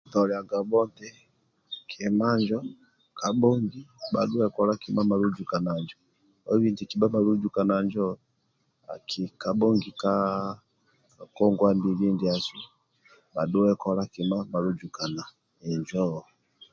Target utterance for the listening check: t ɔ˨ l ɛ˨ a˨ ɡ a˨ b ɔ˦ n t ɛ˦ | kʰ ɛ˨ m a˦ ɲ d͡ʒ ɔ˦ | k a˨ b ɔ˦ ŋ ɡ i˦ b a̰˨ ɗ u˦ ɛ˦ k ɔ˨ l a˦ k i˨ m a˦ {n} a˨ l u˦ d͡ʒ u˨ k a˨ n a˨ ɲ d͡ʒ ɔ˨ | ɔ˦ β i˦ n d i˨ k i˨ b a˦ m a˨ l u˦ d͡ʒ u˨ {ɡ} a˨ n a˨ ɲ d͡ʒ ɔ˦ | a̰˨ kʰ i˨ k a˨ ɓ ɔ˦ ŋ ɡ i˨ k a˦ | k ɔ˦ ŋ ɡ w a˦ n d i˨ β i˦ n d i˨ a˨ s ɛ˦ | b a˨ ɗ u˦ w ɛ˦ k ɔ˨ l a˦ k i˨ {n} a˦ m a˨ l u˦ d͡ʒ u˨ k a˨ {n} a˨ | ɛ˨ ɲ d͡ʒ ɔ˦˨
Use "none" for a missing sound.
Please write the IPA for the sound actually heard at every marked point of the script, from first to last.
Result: m, k, m, n

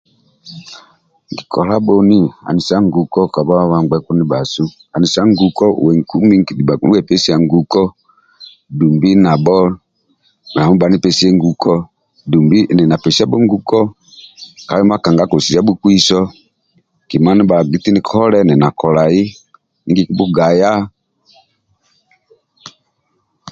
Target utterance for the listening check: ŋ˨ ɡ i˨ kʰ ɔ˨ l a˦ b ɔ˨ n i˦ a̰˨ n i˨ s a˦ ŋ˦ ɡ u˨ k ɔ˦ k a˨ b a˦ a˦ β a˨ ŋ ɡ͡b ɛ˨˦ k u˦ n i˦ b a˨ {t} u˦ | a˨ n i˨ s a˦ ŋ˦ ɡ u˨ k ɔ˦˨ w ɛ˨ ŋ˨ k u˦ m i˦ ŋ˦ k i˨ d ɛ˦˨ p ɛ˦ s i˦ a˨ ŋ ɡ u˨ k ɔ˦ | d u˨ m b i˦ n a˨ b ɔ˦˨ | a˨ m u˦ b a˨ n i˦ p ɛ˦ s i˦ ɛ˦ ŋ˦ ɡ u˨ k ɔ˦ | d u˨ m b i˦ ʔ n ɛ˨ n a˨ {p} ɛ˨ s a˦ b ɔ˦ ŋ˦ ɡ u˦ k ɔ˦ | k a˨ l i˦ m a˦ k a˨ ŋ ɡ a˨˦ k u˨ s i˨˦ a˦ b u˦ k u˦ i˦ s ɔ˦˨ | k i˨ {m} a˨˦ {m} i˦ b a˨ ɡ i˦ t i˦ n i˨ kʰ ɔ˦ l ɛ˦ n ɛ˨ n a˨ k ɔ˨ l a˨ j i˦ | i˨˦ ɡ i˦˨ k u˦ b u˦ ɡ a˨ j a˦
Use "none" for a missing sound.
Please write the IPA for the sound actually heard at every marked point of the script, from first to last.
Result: s, p, m, n

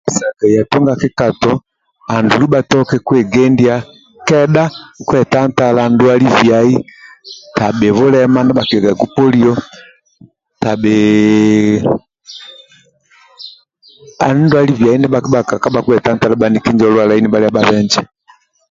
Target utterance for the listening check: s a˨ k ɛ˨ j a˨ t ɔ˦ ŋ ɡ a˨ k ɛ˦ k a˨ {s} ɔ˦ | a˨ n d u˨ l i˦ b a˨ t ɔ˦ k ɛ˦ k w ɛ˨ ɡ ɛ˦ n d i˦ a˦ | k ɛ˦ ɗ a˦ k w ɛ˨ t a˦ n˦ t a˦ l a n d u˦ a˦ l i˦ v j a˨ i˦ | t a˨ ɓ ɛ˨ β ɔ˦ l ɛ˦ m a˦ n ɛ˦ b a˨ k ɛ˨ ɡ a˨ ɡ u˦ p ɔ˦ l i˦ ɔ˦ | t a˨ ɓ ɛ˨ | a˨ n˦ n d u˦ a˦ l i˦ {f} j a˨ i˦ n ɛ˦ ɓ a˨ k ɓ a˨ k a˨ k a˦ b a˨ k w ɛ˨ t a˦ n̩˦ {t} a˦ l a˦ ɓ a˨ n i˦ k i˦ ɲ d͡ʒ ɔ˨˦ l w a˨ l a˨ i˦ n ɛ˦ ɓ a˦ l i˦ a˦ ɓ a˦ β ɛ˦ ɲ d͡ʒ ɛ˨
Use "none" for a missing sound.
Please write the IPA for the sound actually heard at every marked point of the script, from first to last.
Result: t, v, t

